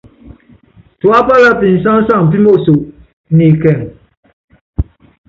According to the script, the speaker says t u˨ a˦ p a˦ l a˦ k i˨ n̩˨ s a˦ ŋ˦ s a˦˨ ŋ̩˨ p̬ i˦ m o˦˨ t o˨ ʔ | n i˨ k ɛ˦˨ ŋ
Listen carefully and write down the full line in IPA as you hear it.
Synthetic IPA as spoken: t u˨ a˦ p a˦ l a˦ p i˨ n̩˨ s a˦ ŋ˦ s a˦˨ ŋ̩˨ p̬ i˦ m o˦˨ s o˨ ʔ | n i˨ k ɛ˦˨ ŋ